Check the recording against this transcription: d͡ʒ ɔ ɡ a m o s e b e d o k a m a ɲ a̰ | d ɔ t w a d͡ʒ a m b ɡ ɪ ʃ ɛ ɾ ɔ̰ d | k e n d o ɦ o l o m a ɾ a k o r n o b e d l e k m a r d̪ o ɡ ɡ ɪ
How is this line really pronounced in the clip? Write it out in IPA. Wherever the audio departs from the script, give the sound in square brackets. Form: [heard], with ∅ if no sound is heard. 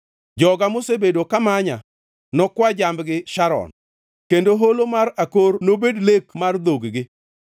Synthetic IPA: d͡ʒ ɔ ɡ a m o s e b e d o k a m a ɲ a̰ | [n] ɔ [k] w a d͡ʒ a m b ɡ ɪ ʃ [a] ɾ ɔ̰ [n] | k e n d o ɦ o l o m a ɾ a k o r n o b e d l e k m a r d̪ o ɡ ɡ ɪ